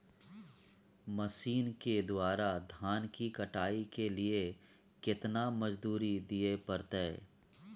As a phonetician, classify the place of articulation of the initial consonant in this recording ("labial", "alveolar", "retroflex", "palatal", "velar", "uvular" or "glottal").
labial